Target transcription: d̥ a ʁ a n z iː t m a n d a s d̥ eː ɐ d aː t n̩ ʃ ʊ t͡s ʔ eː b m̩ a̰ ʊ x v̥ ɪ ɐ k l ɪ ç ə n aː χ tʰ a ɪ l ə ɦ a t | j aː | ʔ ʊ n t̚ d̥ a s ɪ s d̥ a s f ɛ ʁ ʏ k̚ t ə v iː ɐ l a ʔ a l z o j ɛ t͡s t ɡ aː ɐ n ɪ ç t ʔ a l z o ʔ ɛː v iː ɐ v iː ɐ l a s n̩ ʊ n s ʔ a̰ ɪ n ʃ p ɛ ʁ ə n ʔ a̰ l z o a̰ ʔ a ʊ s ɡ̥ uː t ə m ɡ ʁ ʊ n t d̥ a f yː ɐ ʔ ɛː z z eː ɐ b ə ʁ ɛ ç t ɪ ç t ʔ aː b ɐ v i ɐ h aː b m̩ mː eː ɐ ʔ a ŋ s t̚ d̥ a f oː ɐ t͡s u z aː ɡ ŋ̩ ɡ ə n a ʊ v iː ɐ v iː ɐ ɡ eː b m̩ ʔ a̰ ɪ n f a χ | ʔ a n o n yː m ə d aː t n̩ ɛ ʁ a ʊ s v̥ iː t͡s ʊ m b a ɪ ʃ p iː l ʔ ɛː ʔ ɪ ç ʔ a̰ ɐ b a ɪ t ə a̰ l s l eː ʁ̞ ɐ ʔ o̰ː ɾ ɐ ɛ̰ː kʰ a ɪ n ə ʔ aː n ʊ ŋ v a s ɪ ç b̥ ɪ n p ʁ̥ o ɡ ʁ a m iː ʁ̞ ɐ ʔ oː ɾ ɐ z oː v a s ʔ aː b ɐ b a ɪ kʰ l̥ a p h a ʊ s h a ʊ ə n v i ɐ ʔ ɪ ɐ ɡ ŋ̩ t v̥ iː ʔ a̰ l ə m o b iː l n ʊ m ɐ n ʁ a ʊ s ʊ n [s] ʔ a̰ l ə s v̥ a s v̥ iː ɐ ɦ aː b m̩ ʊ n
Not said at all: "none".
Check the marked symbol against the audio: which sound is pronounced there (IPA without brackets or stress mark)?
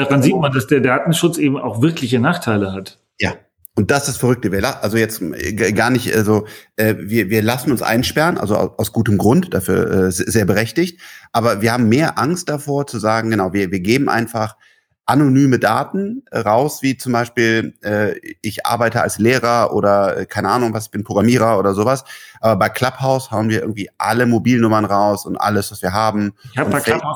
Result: t